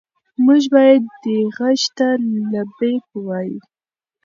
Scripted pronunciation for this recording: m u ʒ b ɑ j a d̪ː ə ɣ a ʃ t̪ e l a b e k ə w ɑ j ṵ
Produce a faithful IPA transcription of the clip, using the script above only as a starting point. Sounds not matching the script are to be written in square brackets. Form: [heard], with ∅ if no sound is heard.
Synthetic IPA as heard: m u ʒ b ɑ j a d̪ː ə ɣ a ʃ t̪ [a] l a b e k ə w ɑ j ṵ